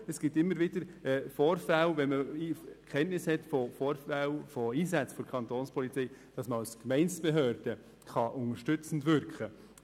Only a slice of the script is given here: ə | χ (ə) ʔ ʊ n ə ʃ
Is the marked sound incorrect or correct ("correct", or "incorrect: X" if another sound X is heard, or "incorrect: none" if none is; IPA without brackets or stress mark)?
incorrect: ɑ